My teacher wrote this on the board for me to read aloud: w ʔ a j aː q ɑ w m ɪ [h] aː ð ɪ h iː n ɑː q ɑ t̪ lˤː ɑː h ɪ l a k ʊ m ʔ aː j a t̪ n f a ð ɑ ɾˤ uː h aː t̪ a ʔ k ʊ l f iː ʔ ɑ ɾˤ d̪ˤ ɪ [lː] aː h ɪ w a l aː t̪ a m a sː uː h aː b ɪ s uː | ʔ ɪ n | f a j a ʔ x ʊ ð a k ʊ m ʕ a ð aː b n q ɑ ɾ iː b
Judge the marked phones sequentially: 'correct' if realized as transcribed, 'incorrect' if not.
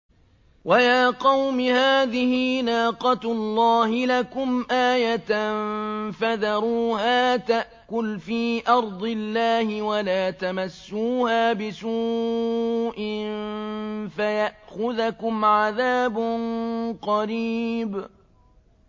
correct, correct

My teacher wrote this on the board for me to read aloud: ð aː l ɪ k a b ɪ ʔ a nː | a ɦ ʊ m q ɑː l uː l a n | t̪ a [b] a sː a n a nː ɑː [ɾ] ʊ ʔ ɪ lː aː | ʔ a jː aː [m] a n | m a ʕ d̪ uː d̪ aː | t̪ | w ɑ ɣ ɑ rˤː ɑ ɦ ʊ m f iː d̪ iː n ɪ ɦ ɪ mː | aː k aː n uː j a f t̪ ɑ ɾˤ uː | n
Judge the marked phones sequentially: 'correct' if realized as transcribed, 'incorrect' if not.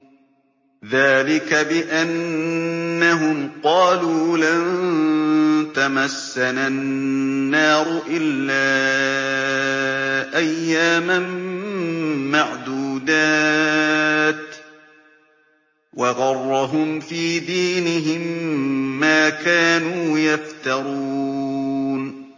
incorrect, correct, correct

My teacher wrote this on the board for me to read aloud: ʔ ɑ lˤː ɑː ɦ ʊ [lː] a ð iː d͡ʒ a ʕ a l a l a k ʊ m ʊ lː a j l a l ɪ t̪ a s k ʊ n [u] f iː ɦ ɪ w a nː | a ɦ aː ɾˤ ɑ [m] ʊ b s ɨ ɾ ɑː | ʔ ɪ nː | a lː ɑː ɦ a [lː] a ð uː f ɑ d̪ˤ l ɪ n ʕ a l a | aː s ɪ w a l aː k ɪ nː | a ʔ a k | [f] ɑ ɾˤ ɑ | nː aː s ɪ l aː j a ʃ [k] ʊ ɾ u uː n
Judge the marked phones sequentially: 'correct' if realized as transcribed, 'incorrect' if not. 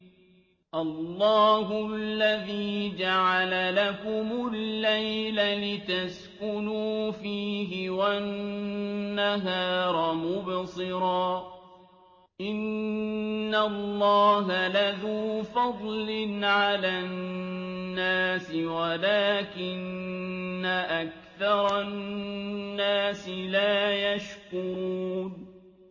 correct, incorrect, correct, incorrect, incorrect, correct

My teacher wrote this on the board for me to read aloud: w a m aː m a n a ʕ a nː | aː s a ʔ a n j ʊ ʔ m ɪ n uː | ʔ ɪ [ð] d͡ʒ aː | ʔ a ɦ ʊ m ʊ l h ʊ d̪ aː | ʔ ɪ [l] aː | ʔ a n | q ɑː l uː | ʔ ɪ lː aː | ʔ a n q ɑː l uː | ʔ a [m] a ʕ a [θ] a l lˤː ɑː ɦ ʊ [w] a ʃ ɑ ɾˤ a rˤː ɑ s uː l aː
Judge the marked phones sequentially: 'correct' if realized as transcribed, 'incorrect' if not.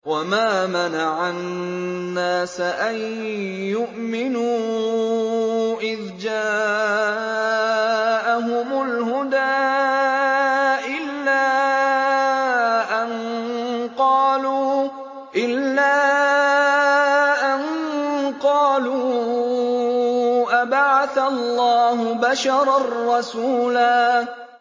correct, incorrect, incorrect, correct, incorrect

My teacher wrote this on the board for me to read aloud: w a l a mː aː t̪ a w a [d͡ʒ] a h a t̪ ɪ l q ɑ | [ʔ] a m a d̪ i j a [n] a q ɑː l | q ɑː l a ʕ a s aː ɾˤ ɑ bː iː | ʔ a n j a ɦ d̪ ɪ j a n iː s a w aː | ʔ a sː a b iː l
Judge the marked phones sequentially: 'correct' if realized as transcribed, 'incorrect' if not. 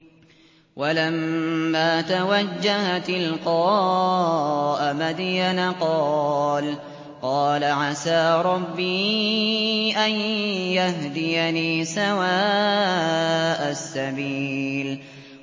incorrect, correct, correct

